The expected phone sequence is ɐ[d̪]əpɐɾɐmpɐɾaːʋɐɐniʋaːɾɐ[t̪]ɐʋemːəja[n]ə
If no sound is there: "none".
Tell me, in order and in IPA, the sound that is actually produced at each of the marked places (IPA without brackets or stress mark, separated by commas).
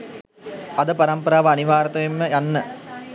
d̪, t̪, nː